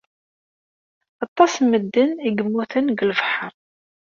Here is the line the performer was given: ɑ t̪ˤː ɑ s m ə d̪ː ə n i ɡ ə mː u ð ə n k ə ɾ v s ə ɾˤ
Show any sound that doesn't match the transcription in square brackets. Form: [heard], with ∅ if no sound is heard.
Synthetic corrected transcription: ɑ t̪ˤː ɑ s m ə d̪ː ə n i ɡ ə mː u [θ] ə n [ɡ] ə [l] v [ħ] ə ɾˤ